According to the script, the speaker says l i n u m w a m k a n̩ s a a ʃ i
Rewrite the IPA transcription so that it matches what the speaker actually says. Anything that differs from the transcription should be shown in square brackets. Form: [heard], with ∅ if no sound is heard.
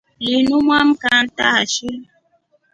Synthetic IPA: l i n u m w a m k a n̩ [t] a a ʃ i